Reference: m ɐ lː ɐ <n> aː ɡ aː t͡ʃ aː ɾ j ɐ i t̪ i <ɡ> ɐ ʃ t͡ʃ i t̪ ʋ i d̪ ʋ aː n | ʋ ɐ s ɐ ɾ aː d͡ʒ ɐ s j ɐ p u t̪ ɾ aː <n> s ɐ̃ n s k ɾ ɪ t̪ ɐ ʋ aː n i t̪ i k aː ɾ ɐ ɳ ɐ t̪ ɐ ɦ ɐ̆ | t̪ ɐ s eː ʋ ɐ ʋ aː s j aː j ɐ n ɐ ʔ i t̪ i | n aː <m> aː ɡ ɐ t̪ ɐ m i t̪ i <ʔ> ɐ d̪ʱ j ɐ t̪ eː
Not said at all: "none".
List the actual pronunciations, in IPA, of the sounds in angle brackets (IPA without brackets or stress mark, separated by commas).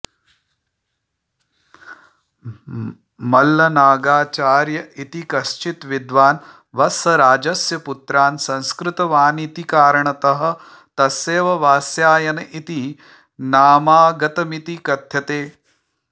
n, k, n, m, k